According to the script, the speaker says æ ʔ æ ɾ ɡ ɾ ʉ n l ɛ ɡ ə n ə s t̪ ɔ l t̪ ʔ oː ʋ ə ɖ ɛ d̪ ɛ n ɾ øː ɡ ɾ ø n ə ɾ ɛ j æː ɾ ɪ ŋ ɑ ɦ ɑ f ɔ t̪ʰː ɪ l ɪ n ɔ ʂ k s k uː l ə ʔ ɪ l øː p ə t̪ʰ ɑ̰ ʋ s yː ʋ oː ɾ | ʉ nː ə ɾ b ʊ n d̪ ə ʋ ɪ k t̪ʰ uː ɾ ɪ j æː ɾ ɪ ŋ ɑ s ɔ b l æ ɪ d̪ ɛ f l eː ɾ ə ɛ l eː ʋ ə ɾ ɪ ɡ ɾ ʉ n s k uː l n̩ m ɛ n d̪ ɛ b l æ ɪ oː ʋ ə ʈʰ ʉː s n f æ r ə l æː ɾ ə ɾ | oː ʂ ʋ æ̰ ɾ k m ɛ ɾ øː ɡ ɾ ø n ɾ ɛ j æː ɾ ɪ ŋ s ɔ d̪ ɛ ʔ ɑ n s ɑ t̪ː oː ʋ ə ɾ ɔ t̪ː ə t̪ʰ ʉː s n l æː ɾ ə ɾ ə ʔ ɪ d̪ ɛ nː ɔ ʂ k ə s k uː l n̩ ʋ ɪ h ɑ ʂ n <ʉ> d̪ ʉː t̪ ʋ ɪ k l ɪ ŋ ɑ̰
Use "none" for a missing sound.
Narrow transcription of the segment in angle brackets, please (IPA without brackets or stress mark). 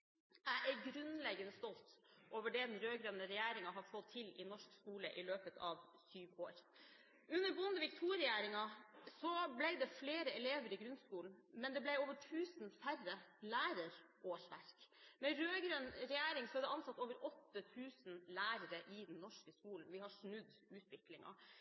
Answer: ʉ